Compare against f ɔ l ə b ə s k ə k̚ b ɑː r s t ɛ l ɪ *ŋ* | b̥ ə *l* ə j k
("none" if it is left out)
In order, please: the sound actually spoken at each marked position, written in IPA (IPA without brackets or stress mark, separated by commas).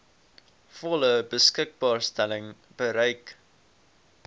ŋ, ɾ